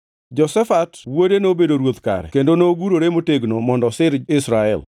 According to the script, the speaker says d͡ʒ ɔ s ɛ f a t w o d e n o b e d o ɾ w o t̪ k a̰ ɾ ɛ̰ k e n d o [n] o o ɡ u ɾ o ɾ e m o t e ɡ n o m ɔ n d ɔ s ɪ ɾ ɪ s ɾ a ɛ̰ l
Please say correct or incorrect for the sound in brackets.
correct